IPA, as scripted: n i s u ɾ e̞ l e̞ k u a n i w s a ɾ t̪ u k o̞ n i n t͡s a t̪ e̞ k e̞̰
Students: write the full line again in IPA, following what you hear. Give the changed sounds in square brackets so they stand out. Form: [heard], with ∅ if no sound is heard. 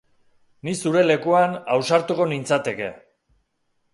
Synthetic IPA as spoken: n i s u ɾ e̞ l e̞ k u a n [a] w s a ɾ t̪ u k o̞ n i n t͡s a t̪ e̞ k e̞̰

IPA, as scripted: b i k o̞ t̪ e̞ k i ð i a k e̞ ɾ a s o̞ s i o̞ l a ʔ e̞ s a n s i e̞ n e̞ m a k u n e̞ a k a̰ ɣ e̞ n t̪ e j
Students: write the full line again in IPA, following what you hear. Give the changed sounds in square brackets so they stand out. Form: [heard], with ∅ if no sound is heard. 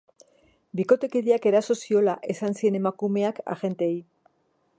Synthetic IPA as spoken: b i k o̞ t̪ e̞ k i ð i a k e̞ ɾ a s o̞ s i o̞ l a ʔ e̞ s a n s i e̞ n e̞ m a k u [m] e̞ a k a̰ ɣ e̞ n t̪ e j

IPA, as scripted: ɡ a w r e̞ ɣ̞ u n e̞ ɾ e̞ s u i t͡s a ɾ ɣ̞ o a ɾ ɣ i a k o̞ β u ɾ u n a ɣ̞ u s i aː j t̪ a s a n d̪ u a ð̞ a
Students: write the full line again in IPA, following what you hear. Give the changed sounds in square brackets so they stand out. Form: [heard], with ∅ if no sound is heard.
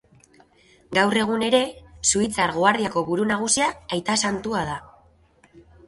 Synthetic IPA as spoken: ɡ a w r e̞ ɣ̞ u n e̞ ɾ e̞ s u i t͡s a ɾ ɣ̞ o a ɾ [ð] i a k o̞ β u ɾ u n a ɣ̞ u s i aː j t̪ a s a n [t̪] u a ð̞ a

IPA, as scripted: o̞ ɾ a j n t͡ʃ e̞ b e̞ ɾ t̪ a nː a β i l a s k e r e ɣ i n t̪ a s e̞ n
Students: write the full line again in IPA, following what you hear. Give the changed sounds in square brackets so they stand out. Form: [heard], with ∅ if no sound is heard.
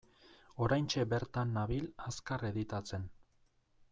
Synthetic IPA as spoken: o̞ ɾ a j n t͡ʃ e̞ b e̞ ɾ t̪ a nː a β i l a s k [a] r e [ð] i [∅] t̪ a [t͡s] e̞ n

